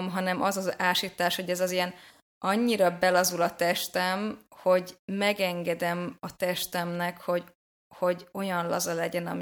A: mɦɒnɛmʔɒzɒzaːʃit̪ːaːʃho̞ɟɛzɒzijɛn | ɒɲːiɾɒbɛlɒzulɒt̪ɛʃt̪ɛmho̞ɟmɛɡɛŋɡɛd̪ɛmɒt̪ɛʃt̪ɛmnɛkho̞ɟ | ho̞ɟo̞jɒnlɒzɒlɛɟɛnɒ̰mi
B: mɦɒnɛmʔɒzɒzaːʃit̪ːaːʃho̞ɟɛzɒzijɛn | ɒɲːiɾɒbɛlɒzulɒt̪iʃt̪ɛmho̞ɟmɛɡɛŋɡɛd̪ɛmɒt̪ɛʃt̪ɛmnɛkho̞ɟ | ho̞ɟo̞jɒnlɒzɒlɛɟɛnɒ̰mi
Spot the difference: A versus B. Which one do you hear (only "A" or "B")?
A